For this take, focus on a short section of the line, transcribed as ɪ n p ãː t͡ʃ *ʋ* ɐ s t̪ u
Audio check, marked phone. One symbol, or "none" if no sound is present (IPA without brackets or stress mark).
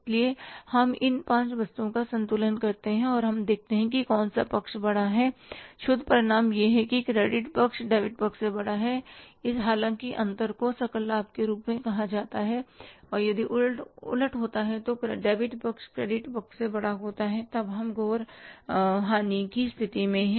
ʋ